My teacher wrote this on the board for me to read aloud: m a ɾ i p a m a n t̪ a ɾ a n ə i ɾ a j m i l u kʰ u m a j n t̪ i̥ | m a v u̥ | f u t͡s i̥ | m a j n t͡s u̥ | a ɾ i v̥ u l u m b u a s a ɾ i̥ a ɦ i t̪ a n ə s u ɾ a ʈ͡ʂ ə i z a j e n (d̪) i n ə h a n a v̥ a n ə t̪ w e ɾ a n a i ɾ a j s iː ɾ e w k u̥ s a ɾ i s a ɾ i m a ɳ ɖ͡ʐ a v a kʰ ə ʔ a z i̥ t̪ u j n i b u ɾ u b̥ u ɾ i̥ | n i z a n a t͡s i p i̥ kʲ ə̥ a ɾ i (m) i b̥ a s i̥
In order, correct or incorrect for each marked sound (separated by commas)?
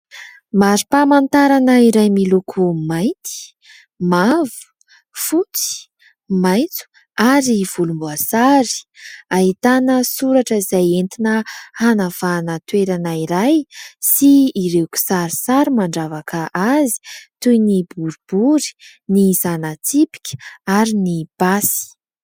incorrect, incorrect